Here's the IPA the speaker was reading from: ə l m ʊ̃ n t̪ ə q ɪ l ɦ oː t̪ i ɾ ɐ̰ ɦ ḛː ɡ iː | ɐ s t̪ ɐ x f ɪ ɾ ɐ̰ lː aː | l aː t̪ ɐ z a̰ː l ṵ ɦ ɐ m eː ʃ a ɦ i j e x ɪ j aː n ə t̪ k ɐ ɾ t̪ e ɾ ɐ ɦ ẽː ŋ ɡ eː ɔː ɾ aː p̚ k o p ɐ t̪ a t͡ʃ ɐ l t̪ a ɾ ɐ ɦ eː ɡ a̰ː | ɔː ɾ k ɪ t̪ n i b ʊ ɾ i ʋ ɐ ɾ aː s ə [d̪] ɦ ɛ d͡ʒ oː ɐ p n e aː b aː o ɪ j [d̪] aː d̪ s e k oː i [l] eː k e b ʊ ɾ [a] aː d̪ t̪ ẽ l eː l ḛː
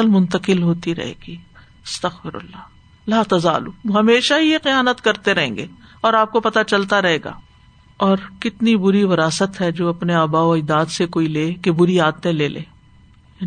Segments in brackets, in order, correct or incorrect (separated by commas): incorrect, correct, correct, incorrect